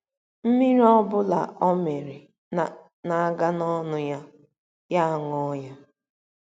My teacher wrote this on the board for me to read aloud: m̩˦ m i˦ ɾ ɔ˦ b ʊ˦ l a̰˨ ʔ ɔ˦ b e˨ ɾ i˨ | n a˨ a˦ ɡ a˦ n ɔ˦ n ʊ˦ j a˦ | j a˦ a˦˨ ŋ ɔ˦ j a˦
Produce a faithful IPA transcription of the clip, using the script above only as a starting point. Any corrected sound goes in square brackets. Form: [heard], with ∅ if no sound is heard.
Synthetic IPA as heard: m̩˦ m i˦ ɾ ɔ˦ b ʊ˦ l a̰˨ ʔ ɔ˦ [m] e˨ ɾ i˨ | n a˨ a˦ ɡ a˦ n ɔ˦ n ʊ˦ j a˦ | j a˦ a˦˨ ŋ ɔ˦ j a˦